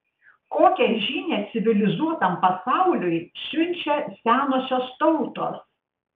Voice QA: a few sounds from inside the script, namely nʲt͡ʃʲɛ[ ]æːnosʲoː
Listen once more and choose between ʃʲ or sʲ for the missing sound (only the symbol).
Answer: sʲ